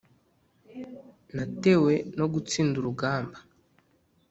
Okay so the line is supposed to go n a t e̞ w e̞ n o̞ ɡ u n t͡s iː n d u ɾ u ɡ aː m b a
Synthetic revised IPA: n a t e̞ w e̞ n o̞ ɡ u t͡s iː n d u ɾ u ɡ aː m b a